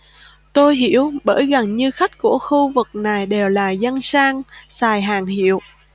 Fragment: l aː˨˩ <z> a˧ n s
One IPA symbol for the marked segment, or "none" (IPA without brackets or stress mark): z